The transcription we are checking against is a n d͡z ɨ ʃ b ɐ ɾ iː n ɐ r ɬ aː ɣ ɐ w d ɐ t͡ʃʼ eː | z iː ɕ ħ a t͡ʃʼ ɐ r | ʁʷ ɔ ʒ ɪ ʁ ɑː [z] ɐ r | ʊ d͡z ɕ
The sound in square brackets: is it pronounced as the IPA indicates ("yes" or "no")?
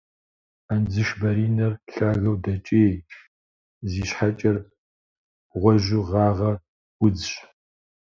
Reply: no